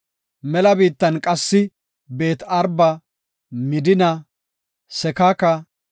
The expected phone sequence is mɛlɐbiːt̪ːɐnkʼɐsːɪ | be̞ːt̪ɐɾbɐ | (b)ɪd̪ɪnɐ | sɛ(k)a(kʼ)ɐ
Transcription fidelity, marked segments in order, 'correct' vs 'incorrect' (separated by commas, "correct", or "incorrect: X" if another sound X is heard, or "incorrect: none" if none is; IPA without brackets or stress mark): incorrect: m, correct, incorrect: k